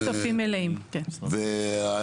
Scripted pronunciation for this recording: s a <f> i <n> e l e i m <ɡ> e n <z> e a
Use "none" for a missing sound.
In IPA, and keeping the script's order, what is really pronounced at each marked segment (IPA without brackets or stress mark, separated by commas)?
f, m, k, v